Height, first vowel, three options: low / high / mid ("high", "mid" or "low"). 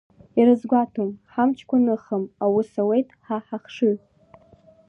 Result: high